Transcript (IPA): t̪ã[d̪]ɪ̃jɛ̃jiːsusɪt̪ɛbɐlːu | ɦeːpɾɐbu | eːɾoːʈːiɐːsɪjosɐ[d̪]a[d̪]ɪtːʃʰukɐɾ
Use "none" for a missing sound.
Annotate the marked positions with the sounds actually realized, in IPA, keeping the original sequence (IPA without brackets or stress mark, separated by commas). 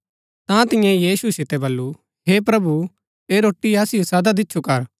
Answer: t̪, d̪, d̪